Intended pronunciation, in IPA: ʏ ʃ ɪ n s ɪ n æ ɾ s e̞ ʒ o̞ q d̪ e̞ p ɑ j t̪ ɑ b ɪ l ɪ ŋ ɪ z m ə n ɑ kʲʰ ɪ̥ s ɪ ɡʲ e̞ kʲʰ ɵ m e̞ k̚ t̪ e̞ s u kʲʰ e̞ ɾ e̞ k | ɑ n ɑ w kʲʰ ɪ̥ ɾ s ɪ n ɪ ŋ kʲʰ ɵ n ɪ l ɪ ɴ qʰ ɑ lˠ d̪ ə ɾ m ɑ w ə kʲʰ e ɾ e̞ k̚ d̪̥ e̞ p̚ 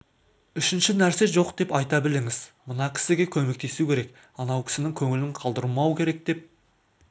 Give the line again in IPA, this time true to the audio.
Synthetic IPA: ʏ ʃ ɪ n ʃ ɪ n æ ɾ s e̞ ʒ o̞ q d̪ e̞ p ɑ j t̪ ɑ b ɪ l ɪ ŋ ɪ z m ə n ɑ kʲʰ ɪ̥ s ɪ ɡʲ e̞ kʲʰ ɵ m e̞ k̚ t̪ e̞ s u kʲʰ e̞ ɾ e̞ k | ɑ n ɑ w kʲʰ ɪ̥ s ɪ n ɪ ŋ kʲʰ ɵ ŋ ɪ l ɪ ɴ qʰ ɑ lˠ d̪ ə ɾ m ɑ w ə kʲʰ e ɾ e̞ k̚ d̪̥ e̞ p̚

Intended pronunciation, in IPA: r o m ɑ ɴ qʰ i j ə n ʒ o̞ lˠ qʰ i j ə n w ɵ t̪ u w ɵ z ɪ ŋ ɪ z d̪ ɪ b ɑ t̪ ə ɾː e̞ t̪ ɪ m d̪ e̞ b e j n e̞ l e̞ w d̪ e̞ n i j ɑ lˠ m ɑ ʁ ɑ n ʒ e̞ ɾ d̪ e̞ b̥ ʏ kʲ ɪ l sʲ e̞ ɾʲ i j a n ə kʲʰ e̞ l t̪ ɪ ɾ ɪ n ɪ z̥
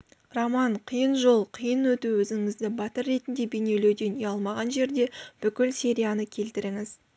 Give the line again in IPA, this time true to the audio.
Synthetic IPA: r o m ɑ ɴ qʰ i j ə n ʒ o̞ lˠ qʰ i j ə n w ɵ t̪ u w ɵ z ɪ ŋ ɪ z d̪ ɪ b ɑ t̪ ə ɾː e̞ t̪ ɪ n d̪ e̞ b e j n e̞ l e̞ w d̪ e̞ n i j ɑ lˠ m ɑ ʁ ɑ n ʒ e̞ ɾ d̪ e̞ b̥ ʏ kʲ ɪ l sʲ e̞ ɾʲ i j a n ə kʲʰ e̞ l t̪ ɪ ɾ ɪ ŋ ɪ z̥

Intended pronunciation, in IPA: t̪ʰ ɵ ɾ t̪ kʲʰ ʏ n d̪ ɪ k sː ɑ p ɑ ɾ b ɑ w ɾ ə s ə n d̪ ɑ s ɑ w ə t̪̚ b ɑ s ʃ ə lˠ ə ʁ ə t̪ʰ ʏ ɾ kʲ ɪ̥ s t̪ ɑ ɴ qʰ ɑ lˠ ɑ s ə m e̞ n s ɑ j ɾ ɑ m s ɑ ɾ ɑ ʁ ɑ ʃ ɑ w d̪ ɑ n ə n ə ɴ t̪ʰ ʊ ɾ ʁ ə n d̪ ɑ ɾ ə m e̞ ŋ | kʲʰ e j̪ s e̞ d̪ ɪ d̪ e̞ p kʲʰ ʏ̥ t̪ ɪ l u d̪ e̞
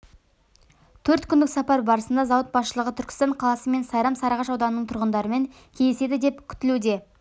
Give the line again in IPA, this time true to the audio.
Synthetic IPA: t̪ʰ ɵ ɾ t̪ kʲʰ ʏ n d̪ ɪ k s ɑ p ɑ ɾ b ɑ ɾ ə s ə n d̪ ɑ z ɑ w ə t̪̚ b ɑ s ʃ ə lˠ ə ʁ ə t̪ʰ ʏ ɾ kʲ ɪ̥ s t̪ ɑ ɴ qʰ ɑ lˠ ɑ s ə m e̞ n s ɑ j ɾ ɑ m s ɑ ɾ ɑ ʁ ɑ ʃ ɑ w d̪ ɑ n ə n ə ɴ t̪ʰ ʊ ɾ ʁ ə n d̪ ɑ ɾ ə m e̞ ŋ | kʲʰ e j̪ s e̞ d̪ ɪ d̪ e̞ p kʲʰ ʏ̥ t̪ ɪ l u d̪ e̞

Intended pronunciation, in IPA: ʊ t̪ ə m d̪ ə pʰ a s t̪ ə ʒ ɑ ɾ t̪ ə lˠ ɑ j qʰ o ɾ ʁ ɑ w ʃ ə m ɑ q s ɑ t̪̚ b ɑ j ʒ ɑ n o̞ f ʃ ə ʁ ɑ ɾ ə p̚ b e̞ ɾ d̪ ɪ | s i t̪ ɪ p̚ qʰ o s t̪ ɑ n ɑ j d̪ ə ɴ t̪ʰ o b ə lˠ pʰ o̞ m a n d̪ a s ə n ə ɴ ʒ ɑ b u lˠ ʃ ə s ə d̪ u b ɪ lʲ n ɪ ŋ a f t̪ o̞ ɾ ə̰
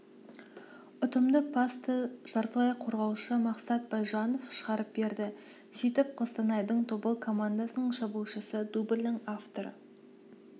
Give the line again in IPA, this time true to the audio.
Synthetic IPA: ʊ t̪ ə m d̪ ə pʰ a s t̪ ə ʒ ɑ ɾ t̪ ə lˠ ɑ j qʰ o ɾ ʁ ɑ w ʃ ə m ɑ q s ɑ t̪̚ b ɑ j ʒ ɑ n o̞ f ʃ ə ʁ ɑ ɾ ə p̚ b e̞ ɾ d̪ ɪ | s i t̪ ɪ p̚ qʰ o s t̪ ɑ n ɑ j d̪ ə ɴ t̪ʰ o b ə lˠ kʰ o̞ m a n d̪ a s ə n ə ɴ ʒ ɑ b u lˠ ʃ ə s ə d̪ u b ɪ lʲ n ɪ ŋ a f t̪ o̞ ɾ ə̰

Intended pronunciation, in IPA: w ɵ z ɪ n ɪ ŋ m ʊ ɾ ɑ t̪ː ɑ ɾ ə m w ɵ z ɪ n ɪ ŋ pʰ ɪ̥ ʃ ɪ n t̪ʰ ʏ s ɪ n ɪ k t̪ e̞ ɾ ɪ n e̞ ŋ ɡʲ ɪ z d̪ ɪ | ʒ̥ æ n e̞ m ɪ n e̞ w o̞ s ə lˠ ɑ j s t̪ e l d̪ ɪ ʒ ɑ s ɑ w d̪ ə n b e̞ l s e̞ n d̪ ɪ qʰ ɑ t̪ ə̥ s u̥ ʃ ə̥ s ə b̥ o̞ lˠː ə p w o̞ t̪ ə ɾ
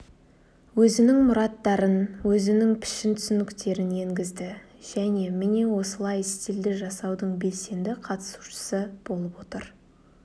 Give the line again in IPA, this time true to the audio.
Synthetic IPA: w ɵ z ɪ n ɪ ŋ m ʊ ɾ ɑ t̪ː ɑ ɾ ə n w ɵ z ɪ n ɪ ŋ pʰ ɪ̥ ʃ ɪ n t̪ʰ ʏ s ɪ n ɪ k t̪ e̞ ɾ ɪ n e̞ ŋ ɡʲ ɪ z d̪ ɪ | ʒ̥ æ n e̞ m ɪ n e̞ w o̞ s ə lˠ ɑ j s t̪ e l d̪ ɪ ʒ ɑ s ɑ w d̪ ə ɴ b e̞ l s e̞ n d̪ ɪ qʰ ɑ t̪ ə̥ s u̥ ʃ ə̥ s ə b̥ o̞ lˠ ə p w o̞ t̪ ə ɾ

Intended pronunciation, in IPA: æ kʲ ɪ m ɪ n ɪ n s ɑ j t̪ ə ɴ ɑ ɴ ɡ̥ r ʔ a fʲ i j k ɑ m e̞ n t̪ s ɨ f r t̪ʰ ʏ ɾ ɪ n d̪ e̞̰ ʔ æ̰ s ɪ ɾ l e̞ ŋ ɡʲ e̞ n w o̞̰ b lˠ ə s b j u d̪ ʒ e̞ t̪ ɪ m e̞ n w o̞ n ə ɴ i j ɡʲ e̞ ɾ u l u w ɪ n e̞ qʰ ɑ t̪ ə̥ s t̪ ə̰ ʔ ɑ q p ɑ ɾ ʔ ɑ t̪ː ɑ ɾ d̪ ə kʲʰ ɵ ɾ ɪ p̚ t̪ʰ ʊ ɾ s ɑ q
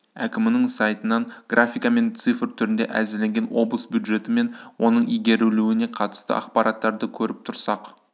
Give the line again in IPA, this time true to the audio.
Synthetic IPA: æ kʲ ɪ m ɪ n ɪ ŋ s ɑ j t̪ ə n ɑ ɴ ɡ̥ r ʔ a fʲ i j k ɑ m e̞ n t̪ s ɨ f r t̪ʰ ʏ ɾ ɪ n d̪ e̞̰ ʔ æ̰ z ɪ ɾ l e̞ ŋ ɡʲ e̞ n w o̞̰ b lˠ ə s b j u d̪ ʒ e̞ t̪ ɪ m e̞ n w o̞ n ə ɴ i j ɡʲ e̞ ɾ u l u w ɪ n e̞ qʰ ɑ t̪ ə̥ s t̪ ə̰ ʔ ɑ q p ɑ ɾ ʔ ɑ t̪ː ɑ ɾ d̪ ə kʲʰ ɵ ɾ ɪ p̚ t̪ʰ ʊ ɾ s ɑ q

